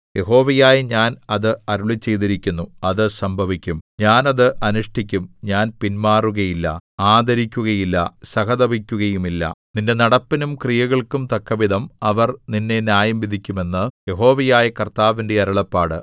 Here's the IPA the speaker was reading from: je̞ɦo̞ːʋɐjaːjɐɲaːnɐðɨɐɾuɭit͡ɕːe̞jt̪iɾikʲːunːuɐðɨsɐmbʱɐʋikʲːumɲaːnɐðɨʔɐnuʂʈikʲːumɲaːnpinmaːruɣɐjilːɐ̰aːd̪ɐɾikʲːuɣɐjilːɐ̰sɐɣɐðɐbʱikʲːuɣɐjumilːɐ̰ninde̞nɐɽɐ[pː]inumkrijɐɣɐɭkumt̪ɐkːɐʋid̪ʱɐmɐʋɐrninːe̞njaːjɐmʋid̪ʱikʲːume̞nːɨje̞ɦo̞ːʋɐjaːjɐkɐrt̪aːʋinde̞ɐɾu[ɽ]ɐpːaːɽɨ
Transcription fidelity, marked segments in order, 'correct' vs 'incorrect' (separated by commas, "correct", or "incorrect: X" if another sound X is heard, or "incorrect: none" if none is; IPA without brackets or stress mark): correct, incorrect: ɭ